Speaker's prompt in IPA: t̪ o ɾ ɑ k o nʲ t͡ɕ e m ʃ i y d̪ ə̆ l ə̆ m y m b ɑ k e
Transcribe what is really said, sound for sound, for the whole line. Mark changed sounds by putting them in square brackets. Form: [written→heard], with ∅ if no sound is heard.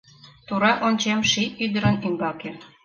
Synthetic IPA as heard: t̪ [o→u] ɾ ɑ [k→ʔ] o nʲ t͡ɕ e m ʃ i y d̪ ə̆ [l→ɾ] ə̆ [m→n] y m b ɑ k e